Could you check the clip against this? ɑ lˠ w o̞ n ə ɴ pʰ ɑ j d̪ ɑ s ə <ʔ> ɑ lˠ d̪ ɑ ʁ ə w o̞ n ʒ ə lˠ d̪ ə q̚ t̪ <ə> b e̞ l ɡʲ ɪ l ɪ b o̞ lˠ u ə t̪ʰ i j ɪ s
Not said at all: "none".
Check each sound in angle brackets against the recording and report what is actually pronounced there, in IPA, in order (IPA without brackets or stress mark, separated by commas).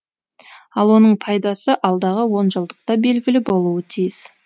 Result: ʔ, ɑ